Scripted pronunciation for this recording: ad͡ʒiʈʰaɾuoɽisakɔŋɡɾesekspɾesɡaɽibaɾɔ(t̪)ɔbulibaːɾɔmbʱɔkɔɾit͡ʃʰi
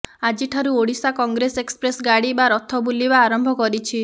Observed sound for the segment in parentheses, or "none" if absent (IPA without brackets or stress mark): t̪ʰ